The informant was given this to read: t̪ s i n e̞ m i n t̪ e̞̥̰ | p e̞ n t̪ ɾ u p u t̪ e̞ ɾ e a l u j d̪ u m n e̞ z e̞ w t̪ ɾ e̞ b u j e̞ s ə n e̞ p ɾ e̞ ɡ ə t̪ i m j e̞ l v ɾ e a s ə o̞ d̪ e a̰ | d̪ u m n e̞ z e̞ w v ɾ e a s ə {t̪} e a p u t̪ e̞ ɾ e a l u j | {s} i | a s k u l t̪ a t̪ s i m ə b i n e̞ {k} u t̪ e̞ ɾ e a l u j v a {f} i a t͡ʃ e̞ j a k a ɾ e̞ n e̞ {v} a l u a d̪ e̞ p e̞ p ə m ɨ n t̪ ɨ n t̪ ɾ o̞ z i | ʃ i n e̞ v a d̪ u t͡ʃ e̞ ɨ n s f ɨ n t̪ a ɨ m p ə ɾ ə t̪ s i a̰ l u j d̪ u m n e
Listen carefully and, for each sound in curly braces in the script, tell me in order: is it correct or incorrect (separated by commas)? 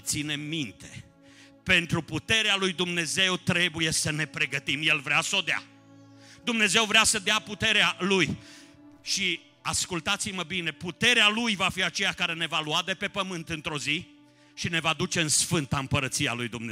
incorrect, incorrect, incorrect, correct, correct